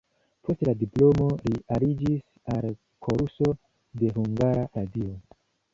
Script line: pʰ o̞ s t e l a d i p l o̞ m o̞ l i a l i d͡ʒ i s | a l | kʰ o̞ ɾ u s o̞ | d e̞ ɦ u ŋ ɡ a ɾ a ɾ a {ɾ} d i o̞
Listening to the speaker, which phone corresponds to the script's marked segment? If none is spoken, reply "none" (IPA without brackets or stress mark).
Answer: none